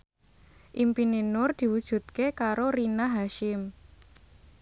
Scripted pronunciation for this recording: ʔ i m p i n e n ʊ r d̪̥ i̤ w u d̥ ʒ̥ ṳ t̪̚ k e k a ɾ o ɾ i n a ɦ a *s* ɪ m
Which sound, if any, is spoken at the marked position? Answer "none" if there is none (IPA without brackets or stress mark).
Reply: ʃ